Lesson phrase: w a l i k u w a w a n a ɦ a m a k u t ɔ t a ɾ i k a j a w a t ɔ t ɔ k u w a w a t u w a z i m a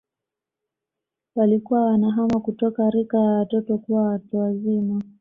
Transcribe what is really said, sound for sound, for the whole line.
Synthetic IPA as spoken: w a l i k u w a w a n a ɦ a m a k u t ɔ k a ɾ i k a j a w a t ɔ t ɔ k u w a w a t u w a z i m a

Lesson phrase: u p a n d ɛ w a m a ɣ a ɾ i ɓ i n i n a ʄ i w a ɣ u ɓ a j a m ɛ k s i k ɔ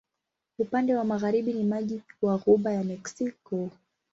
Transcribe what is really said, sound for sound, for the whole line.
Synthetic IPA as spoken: u p a n d ɛ w a m a ɣ a ɾ i ɓ i n i m a ʄ i w a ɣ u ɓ a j a m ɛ k s i k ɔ

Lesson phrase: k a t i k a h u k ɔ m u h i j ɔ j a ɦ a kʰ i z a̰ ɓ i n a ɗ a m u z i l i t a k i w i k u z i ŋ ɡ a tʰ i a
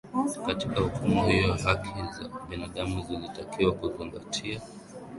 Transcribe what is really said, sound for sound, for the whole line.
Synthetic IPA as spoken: k a t i k a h u k u m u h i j ɔ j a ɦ a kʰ i z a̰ ɓ i n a ɗ a m u z i l i t a k i w a k u z i ŋ ɡ a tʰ i a

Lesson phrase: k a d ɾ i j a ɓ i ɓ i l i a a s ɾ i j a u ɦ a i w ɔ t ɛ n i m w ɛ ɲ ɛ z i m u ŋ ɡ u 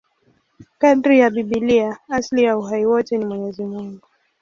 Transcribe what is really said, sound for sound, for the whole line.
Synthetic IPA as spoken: k a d ɾ i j a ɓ i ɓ i l i a a s l i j a u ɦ a i w ɔ t ɛ n i m w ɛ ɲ ɛ z i m u ŋ ɡ u

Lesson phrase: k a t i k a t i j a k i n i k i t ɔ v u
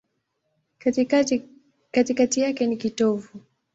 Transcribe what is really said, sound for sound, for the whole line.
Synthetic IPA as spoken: k a t i k a t i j a k ɛ n i k i t ɔ v u

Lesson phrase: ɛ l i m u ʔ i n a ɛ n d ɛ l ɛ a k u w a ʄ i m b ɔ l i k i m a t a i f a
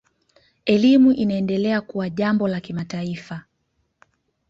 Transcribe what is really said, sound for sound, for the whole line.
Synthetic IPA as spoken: ɛ l i m u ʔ i n a ɛ n d ɛ l ɛ a k u w a ʄ a m b ɔ l a k i m a t a i f a

